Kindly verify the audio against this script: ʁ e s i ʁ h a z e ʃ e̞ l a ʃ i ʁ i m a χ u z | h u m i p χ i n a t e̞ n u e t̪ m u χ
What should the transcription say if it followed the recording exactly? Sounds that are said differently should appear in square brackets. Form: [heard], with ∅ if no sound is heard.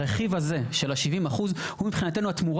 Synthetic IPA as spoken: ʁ e [χ] i [v] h a z e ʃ e̞ l a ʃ i [v] i m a χ u z | h u m i p χ i n a t e̞ n u [a] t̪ m u [ʁ]